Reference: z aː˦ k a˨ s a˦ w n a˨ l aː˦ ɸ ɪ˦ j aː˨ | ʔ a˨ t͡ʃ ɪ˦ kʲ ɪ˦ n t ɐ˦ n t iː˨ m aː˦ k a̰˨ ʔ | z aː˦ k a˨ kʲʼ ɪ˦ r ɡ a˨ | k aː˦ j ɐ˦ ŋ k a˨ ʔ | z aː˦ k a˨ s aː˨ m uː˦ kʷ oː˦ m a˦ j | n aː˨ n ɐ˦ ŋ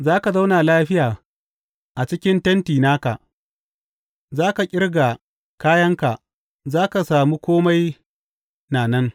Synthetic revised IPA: z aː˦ k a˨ z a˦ w n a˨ l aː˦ ɸ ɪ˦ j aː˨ | ʔ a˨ t͡ʃ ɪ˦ kʲ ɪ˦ n t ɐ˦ n t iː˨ n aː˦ k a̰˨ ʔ | z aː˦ k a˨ kʲʼ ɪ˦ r ɡ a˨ | k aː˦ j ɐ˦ ŋ k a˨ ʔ | z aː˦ k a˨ s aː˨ m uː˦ kʷ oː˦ m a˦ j | n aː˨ n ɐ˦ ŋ